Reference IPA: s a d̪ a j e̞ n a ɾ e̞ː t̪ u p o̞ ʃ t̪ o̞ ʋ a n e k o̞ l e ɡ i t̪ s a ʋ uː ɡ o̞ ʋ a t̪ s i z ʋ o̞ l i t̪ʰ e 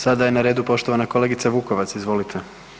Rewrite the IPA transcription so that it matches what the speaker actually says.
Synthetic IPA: s a d̪ a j e̞ n a ɾ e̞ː d̪ u p o̞ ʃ t̪ o̞ ʋ a n a k o̞ l e ɡ i t̪ s a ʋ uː k o̞ ʋ a t̪ s i z ʋ o̞ l i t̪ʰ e